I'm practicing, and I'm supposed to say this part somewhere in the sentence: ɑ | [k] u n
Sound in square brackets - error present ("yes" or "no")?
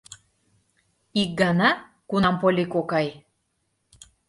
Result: no